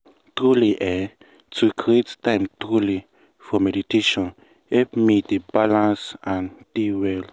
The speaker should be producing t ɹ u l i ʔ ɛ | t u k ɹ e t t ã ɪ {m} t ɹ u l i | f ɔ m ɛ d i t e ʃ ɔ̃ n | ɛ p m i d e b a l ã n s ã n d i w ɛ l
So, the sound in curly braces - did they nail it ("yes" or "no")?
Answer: yes